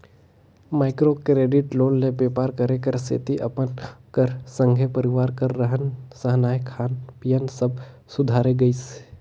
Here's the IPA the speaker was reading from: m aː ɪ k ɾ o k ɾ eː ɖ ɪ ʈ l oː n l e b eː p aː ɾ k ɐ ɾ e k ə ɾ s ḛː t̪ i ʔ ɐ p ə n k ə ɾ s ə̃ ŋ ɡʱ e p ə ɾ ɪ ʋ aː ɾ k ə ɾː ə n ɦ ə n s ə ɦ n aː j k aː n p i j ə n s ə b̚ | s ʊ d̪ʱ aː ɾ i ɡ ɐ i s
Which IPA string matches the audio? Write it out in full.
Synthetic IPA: m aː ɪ k ɾ o k ɾ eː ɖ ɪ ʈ l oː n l e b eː p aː ɾ k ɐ ɾ e k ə ɾ s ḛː t̪ i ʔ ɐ p ə n k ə ɾ s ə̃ ŋ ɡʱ e p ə ɾ ɪ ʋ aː ɾ k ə ɾː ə ɦ ə n s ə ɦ n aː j kʰ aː n p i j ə n s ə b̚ | s ʊ d̪ʱ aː ɾ e ɡ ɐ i s